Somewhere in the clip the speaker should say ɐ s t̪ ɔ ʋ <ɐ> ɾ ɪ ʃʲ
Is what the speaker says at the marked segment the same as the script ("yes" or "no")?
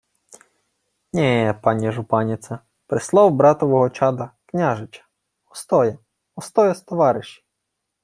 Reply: no